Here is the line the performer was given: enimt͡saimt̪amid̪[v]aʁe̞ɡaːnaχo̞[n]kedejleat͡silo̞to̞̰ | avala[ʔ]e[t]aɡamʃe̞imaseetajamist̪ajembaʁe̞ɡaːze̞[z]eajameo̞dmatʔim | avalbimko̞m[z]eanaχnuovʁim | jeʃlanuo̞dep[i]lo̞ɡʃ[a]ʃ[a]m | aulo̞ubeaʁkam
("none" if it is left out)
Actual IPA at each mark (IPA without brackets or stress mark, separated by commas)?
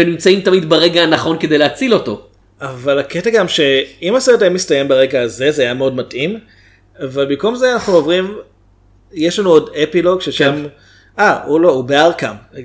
b, n, k, t, z, z, i, e, a